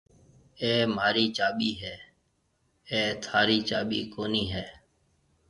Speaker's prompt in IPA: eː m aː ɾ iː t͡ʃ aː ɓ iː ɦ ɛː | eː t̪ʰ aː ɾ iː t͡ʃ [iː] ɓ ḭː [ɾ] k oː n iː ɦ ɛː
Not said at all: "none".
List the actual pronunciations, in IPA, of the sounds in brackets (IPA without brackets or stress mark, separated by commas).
aː, none